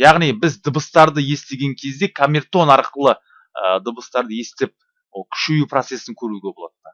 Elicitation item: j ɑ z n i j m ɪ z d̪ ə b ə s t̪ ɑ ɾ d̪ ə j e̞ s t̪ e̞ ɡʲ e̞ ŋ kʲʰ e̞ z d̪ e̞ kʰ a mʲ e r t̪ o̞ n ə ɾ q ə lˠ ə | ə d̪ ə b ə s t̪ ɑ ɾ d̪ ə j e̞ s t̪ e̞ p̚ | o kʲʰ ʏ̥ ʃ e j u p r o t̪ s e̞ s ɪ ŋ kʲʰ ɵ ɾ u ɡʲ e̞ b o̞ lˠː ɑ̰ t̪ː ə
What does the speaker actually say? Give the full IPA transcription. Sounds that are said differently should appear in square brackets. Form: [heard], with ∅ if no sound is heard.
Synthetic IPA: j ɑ [ʁ] n i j [b] ɪ z d̪ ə b ə s t̪ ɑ ɾ d̪ ə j e̞ s t̪ e̞ ɡʲ e̞ ŋ kʲʰ e̞ z d̪ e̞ kʰ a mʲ e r t̪ o̞ n [ɑ] ɾ q ə lˠ ə | ə d̪ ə b ə s t̪ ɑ ɾ d̪ ə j e̞ s t̪ e̞ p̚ | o kʲʰ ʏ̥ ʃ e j u p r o t̪ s e̞ s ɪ ŋ kʲʰ ɵ ɾ u ɡʲ e̞ b o̞ [lˠ] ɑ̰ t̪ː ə